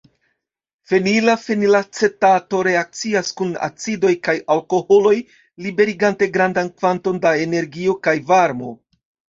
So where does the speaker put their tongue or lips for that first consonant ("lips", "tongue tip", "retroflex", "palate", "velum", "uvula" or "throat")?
lips